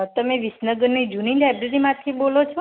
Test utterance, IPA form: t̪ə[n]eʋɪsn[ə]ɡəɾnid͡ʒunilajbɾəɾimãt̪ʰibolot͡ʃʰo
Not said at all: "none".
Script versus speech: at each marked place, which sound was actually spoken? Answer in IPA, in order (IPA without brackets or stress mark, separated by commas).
m, ə